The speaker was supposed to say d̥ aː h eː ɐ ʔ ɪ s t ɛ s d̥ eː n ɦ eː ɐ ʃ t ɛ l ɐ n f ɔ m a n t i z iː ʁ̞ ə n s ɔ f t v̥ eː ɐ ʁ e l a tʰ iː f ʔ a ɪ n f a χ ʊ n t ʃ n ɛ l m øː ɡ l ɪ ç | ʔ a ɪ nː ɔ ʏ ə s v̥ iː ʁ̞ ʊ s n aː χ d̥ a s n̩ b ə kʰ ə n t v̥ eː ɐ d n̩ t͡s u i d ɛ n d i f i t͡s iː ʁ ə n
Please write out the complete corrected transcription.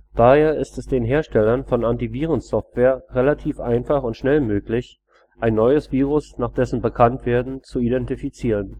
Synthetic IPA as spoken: d̥ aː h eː ɐ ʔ ɪ s t ɛ s d̥ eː n ɦ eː ɐ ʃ t ɛ l ɐ n f ɔ n a n t i v iː ʁ̞ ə n s ɔ f t v̥ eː ɐ ʁ e l a tʰ iː f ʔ a ɪ n f a χ ʊ n t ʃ n ɛ l m øː k l ɪ ç | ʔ a ɪ nː ɔ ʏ ə s v̥ iː ʁ̞ ʊ s n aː χ d̥ ɛ s n̩ b ə kʰ a n t v̥ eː ɐ d n̩ t͡s u i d ɛ n t i f i t͡s iː ʁ ə n